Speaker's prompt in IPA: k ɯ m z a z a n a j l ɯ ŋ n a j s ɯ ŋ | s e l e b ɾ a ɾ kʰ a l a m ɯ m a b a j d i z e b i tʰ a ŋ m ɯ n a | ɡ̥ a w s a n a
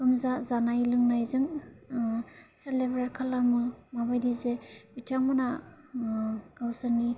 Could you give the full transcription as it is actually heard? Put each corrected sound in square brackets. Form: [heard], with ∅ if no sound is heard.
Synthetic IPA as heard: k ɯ m z a z a n a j l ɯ ŋ n a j [z] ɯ ŋ | s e l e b ɾ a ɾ kʰ a l a m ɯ m a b a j d i z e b i tʰ a ŋ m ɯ n a | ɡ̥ a w s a n [i]